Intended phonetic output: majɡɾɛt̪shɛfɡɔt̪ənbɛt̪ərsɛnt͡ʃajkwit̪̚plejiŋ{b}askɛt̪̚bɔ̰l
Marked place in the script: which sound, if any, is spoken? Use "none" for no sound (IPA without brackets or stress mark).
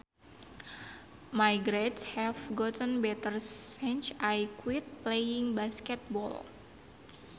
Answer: b